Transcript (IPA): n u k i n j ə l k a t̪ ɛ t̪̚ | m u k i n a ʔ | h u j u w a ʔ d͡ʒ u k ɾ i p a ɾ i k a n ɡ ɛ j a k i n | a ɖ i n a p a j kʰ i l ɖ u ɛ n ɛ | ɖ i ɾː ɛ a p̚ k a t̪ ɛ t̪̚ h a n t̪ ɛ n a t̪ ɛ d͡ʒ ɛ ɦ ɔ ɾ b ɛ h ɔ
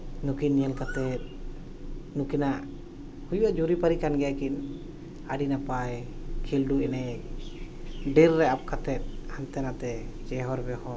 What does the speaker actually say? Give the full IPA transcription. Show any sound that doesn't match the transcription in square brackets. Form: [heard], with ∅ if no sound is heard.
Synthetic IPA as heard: n u k i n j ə l k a t̪ ɛ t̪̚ | [n] u k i n a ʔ | h u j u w a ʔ d͡ʒ u [∅] ɾ i p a ɾ i k a n ɡ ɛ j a k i n | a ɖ i n a p a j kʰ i l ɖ u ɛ n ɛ | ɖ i ɾː ɛ a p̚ k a t̪ ɛ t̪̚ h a n t̪ ɛ n a t̪ ɛ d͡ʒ ɛ ɦ ɔ ɾ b ɛ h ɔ